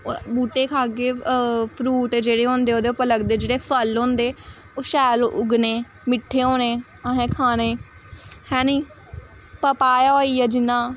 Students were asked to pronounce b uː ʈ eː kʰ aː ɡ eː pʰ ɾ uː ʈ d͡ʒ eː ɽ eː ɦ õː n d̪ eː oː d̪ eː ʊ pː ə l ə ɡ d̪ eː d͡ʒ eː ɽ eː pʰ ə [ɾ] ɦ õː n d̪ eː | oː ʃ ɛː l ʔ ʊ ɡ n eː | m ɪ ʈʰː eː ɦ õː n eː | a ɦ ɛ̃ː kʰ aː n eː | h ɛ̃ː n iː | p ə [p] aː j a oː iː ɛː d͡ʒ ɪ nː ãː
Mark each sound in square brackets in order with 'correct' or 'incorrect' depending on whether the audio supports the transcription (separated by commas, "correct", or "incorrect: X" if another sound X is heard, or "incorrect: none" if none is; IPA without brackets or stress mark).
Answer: incorrect: l, correct